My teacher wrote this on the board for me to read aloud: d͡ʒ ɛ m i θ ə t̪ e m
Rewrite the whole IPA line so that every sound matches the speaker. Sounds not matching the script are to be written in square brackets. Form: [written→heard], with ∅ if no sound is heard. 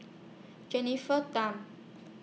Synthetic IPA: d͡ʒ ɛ [m→n] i [θ→f] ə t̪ [e→a] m